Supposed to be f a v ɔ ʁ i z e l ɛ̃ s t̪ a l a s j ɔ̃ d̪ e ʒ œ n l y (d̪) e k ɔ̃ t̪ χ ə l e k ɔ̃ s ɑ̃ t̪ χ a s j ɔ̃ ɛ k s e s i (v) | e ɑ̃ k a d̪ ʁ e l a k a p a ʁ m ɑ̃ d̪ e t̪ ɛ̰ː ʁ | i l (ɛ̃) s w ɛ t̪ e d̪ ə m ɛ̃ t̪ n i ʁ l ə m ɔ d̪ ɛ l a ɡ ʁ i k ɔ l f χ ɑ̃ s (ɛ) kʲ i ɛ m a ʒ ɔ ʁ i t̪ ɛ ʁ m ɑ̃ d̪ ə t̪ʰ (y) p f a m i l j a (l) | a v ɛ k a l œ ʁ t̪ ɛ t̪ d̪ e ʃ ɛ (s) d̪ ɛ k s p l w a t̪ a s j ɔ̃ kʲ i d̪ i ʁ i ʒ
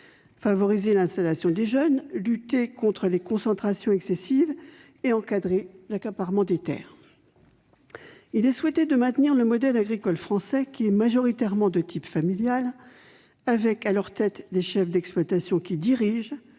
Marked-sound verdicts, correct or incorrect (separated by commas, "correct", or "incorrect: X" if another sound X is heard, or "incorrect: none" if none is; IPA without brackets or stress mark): incorrect: t̪, correct, incorrect: ɛ, correct, incorrect: i, correct, incorrect: f